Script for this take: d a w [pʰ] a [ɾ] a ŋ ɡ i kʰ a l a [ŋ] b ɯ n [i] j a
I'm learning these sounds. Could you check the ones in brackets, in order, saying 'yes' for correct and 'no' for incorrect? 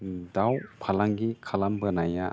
yes, no, no, no

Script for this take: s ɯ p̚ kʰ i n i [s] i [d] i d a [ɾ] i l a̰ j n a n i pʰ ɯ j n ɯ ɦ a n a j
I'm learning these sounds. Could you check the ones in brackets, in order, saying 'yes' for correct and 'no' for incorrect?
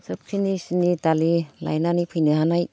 yes, no, no

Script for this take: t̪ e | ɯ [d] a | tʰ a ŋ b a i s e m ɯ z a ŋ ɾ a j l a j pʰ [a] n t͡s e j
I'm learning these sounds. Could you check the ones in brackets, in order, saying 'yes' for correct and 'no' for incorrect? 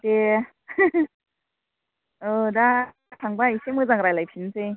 yes, no

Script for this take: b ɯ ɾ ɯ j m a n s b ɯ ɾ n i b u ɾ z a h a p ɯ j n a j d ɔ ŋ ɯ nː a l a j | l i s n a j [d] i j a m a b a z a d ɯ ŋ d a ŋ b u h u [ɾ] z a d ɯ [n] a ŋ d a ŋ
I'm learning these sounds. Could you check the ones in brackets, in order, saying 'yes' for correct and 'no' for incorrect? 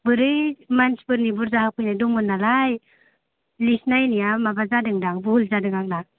no, no, no

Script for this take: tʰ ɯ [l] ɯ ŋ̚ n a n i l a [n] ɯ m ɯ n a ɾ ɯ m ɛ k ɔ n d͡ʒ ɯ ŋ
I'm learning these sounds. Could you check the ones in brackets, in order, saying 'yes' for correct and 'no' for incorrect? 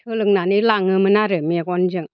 yes, no

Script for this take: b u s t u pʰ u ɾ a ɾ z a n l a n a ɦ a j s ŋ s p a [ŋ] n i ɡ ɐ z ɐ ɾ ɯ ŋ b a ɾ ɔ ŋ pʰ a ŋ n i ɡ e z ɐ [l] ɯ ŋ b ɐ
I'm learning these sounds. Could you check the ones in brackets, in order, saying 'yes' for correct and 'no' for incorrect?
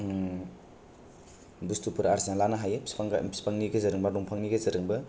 yes, no

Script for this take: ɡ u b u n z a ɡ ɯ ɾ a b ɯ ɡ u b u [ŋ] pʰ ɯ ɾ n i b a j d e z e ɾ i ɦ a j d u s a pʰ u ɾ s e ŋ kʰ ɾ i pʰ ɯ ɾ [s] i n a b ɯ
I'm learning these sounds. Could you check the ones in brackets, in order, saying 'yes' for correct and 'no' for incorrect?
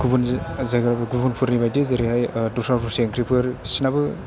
no, yes

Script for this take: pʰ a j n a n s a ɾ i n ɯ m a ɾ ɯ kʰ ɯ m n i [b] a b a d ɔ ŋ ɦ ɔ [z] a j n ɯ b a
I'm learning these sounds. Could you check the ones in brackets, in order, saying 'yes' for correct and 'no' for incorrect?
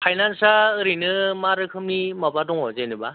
no, yes

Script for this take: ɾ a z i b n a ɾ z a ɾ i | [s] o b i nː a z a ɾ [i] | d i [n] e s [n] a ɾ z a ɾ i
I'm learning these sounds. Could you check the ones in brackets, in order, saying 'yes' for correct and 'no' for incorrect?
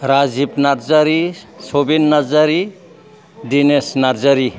yes, yes, yes, yes

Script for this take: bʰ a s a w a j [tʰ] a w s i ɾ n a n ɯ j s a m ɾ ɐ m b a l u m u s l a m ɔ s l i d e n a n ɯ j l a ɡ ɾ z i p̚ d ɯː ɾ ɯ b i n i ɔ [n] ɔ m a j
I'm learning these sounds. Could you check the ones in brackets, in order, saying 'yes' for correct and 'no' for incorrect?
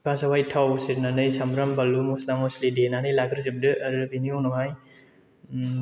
yes, yes

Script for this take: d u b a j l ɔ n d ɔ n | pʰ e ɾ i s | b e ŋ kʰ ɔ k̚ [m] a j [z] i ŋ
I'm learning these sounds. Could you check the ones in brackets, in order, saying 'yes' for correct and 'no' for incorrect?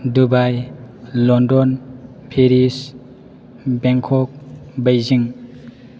no, yes

